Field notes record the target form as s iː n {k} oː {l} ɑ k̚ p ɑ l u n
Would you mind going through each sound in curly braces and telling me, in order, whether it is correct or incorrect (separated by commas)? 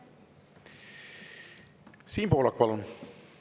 incorrect, correct